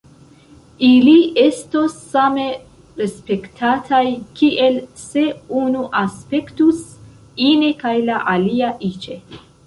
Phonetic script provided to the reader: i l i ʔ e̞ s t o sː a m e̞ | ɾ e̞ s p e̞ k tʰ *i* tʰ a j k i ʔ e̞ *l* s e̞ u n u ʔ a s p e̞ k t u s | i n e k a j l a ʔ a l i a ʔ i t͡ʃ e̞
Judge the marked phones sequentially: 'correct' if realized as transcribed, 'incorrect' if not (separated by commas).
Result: incorrect, correct